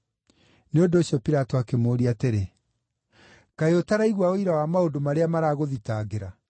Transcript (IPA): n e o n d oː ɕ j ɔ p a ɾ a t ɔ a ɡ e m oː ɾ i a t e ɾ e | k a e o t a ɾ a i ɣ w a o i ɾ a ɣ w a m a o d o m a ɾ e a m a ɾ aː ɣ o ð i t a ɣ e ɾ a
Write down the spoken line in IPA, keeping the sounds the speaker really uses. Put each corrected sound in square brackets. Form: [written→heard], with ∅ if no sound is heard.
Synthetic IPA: n e o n d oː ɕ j ɔ p [a→i] ɾ a t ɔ a [ɡ→k] e m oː ɾ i a t e ɾ e | k a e o t a ɾ a i ɣ w a o i ɾ a [ɣ→∅] w a m a o d o m a ɾ e a m a ɾ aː ɣ o ð i t a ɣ e ɾ a